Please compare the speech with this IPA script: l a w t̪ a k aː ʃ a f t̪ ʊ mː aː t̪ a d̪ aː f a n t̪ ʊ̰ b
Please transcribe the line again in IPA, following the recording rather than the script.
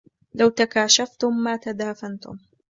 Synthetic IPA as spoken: l a w t̪ a k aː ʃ a f t̪ ʊ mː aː t̪ a d̪ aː f a n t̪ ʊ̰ m